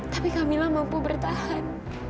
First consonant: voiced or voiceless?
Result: voiceless